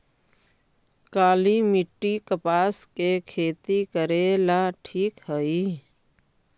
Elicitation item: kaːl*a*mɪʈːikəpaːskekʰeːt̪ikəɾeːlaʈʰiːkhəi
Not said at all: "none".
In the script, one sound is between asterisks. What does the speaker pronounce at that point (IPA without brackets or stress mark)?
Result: i